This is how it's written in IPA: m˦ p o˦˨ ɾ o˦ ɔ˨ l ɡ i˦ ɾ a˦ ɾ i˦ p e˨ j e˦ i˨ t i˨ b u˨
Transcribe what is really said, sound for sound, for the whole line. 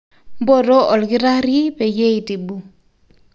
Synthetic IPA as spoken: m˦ b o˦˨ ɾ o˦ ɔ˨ l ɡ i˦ ɾ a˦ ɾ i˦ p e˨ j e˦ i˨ t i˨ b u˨